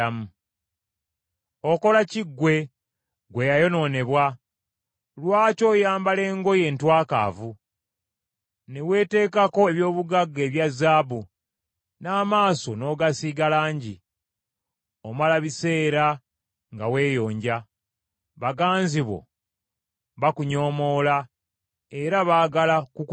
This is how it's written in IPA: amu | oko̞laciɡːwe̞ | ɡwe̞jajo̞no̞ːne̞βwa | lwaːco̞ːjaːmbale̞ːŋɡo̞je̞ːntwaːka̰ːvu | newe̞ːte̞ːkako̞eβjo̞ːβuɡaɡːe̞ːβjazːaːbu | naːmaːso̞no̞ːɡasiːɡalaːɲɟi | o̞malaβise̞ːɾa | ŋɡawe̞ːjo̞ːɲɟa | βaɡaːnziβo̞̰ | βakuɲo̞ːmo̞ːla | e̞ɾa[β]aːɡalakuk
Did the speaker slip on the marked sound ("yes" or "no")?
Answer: no